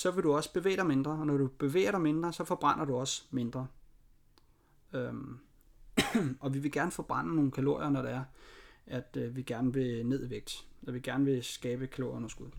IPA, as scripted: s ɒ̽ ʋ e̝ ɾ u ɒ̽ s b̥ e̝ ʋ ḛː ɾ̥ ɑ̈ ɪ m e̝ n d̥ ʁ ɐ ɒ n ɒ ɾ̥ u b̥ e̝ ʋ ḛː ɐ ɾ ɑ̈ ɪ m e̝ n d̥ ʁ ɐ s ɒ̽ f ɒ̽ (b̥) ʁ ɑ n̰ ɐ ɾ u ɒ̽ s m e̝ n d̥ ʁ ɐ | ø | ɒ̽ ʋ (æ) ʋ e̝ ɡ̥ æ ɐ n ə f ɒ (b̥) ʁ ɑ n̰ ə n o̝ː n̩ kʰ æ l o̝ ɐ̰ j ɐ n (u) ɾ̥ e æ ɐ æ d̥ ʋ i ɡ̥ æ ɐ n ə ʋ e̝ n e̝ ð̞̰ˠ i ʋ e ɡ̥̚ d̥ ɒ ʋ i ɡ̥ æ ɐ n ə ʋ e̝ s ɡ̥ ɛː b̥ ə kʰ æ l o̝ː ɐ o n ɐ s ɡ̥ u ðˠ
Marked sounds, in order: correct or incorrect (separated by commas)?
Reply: correct, incorrect, correct, incorrect